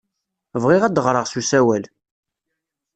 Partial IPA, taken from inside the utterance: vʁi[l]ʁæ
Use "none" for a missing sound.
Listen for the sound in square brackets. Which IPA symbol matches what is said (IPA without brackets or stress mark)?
none